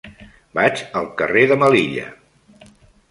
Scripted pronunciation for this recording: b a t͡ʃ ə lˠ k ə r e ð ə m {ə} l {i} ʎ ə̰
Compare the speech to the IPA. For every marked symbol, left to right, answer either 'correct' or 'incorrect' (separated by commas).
correct, correct